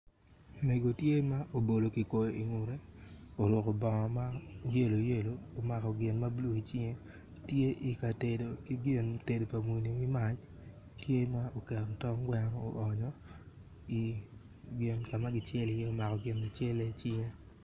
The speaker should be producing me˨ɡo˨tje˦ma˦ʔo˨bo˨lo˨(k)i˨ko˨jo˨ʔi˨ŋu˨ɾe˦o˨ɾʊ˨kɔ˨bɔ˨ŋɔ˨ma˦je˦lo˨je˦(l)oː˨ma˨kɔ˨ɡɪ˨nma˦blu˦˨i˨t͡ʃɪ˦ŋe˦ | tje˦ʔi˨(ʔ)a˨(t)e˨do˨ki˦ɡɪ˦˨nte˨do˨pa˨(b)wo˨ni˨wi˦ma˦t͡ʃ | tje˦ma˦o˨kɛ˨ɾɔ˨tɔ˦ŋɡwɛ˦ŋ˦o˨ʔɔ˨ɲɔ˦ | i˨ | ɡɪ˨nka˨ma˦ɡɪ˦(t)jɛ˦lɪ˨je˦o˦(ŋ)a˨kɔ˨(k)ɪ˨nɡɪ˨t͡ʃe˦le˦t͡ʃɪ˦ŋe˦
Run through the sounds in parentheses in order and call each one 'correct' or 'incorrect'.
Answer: correct, correct, incorrect, correct, incorrect, incorrect, incorrect, incorrect

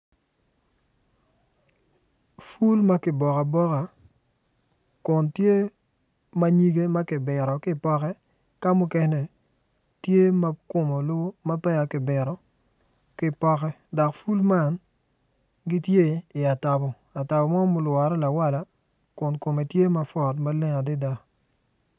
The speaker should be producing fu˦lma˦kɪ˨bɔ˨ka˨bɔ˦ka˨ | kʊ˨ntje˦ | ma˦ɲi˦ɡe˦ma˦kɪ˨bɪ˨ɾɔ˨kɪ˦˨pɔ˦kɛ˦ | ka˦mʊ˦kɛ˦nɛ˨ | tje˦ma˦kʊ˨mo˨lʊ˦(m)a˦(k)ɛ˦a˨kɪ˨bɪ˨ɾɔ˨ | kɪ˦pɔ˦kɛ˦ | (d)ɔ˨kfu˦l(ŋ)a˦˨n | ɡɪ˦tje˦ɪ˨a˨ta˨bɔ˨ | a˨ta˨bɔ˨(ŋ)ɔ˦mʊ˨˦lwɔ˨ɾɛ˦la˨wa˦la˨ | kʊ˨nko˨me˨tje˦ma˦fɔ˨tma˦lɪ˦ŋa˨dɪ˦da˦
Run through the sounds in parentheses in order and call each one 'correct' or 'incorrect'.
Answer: correct, incorrect, correct, incorrect, incorrect

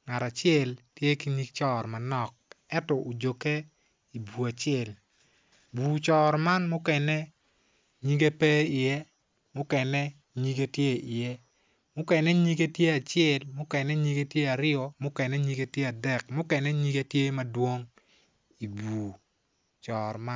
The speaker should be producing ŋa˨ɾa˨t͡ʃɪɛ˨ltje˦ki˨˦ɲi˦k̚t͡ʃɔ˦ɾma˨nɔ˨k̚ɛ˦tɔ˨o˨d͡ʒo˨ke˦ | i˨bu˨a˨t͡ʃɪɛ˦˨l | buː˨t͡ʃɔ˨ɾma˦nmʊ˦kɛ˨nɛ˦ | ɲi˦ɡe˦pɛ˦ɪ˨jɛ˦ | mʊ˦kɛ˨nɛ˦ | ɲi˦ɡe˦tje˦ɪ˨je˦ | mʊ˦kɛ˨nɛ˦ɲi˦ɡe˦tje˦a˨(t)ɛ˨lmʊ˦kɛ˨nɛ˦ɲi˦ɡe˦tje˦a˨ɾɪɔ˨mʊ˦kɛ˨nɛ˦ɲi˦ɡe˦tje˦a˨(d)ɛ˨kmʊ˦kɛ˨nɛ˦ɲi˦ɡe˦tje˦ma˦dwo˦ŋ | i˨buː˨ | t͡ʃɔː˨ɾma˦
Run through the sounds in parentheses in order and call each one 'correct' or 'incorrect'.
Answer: incorrect, correct

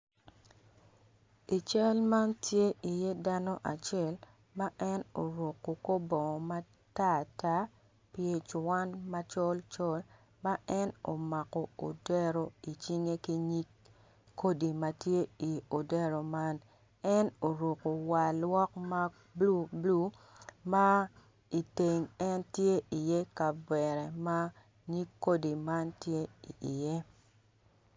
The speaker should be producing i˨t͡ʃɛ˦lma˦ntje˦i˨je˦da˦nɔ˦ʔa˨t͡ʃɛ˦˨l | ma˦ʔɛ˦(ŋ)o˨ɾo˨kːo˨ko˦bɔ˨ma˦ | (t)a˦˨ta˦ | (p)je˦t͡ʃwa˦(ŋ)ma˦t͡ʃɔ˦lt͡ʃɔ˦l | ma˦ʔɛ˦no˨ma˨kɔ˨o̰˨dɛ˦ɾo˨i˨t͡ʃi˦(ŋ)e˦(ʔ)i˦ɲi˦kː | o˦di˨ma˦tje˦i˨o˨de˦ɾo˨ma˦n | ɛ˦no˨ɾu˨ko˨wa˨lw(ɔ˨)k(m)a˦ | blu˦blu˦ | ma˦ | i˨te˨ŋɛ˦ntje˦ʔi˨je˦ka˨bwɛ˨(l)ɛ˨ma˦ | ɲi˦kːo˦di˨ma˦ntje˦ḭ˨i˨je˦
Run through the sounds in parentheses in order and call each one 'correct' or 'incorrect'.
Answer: incorrect, correct, correct, incorrect, correct, incorrect, incorrect, correct, incorrect

